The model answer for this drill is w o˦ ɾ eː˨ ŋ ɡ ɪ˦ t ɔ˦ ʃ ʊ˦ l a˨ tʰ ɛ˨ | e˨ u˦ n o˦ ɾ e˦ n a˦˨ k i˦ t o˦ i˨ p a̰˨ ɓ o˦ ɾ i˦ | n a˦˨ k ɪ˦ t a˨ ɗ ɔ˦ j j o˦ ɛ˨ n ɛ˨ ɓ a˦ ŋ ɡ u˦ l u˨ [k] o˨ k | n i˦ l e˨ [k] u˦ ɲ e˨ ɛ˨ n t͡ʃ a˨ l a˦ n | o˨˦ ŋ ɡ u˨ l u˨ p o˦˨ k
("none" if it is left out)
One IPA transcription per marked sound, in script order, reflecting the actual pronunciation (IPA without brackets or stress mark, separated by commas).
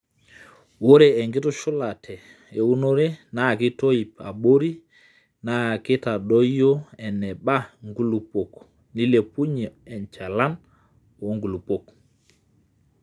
p, p